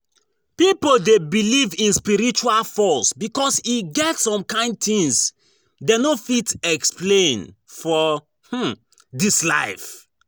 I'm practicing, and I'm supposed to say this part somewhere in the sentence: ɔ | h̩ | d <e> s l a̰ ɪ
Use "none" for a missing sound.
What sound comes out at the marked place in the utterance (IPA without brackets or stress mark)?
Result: i